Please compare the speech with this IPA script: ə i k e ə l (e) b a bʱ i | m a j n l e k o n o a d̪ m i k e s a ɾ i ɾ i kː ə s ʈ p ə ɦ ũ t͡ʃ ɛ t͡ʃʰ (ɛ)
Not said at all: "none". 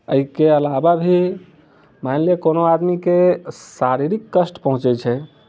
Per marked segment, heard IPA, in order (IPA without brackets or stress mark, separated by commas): a, ɛ